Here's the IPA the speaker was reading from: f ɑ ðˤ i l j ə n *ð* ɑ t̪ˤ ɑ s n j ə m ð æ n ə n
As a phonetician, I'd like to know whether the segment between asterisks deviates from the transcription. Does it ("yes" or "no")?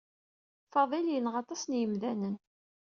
yes